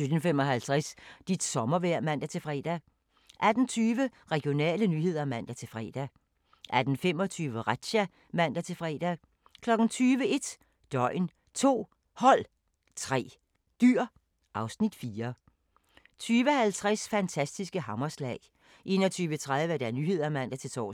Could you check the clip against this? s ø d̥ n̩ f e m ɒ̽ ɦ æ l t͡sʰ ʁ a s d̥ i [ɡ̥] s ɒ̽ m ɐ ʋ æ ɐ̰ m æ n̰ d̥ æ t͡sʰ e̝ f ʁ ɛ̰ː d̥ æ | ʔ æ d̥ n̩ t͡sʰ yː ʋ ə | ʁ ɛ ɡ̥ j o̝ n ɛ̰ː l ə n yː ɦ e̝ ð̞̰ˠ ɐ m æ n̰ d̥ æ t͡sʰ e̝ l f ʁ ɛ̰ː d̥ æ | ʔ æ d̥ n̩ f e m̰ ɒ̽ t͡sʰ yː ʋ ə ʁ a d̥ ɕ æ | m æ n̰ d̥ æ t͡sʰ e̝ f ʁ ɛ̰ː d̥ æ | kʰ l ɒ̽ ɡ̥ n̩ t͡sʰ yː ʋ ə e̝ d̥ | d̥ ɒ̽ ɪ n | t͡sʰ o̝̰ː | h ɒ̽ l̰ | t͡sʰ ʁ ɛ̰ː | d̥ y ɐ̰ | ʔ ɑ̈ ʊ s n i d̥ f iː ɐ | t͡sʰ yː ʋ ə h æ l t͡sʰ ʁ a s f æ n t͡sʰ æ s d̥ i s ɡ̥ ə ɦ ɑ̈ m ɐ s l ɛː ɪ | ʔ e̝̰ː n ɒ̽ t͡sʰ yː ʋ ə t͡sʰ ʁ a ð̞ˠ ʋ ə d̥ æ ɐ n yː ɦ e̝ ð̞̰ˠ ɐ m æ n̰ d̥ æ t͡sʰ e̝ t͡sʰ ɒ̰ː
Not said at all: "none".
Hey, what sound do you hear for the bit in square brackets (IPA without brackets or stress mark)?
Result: d̥